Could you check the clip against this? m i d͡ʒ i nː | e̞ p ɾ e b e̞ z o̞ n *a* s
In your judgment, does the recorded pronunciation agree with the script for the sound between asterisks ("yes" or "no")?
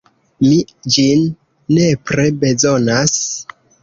yes